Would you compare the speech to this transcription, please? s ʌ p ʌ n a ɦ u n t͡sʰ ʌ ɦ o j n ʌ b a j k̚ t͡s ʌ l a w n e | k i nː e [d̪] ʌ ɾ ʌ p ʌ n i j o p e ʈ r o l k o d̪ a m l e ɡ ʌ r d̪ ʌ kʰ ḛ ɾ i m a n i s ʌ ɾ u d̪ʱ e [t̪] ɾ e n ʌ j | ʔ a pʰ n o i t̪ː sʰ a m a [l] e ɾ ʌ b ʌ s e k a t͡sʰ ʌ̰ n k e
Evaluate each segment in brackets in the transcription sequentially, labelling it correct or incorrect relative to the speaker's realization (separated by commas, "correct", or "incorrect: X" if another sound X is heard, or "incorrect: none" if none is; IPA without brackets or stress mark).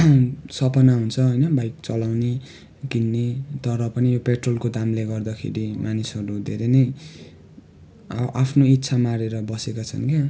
incorrect: t̪, incorrect: none, incorrect: ɾ